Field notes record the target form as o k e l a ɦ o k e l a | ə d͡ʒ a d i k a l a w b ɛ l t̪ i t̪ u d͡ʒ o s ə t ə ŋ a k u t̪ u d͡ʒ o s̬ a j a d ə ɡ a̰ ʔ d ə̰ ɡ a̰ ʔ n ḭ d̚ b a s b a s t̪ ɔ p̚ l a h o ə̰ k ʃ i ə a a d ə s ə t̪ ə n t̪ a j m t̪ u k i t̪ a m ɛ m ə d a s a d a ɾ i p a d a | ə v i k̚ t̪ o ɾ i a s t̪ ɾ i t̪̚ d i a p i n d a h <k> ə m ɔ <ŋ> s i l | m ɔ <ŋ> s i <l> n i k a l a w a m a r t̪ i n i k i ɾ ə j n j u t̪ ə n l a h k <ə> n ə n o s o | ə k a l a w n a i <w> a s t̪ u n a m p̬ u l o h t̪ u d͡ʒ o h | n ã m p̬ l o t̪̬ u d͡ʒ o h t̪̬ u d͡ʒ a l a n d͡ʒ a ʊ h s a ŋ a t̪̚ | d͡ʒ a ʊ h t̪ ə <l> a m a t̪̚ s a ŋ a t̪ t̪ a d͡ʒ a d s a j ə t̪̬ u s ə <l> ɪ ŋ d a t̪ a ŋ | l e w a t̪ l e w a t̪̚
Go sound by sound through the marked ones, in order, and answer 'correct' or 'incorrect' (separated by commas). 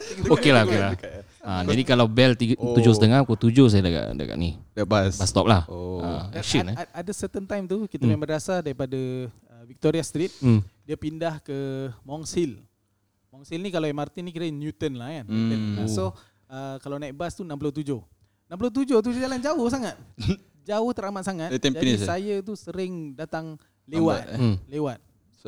correct, correct, correct, correct, incorrect, incorrect, incorrect, incorrect